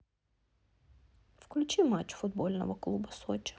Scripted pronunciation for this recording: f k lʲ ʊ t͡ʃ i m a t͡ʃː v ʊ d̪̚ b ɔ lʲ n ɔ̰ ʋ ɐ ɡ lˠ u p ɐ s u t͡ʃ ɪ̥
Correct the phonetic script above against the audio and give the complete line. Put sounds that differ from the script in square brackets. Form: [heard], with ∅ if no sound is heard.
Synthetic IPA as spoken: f k lʲ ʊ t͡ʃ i m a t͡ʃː [f] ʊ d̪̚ b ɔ lʲ n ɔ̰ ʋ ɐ [k] lˠ u [b] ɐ s [ɔ] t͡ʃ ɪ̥